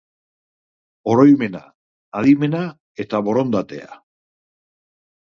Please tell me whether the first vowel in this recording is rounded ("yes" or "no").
yes